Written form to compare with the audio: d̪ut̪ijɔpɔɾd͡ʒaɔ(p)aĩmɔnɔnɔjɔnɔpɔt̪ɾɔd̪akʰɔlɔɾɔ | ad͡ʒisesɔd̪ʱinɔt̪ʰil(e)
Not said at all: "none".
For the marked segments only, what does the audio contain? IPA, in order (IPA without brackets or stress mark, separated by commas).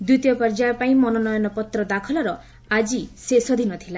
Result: p, a